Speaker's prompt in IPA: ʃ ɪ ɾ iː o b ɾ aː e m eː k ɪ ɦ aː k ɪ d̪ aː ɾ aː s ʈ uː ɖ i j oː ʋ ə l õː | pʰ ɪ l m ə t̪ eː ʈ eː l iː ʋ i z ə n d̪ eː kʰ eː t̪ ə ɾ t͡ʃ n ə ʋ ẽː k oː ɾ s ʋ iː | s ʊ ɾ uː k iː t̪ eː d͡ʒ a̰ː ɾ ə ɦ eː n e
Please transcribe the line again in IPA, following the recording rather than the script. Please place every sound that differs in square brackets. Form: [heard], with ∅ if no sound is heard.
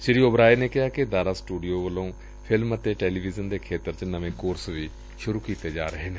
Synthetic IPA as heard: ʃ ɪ ɾ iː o b ɾ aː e [n] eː k ɪ ɦ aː k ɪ d̪ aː ɾ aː s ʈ uː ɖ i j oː ʋ ə l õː | pʰ ɪ l m ə t̪ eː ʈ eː l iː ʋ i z ə n d̪ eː kʰ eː t̪ ə ɾ t͡ʃ n ə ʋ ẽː k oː ɾ s ʋ iː | [ʃ] ʊ ɾ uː k iː t̪ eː d͡ʒ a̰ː ɾ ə ɦ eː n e